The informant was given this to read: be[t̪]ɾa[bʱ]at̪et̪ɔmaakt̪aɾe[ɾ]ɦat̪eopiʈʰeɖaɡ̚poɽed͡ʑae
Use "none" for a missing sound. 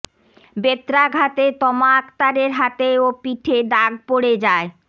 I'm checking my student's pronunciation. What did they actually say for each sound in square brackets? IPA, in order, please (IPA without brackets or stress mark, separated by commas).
t̪, ɡʱ, ɾ